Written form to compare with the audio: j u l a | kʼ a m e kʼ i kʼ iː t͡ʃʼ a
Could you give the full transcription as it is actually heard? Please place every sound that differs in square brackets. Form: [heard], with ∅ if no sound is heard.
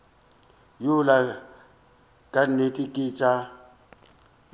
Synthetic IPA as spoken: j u l a | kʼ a [n] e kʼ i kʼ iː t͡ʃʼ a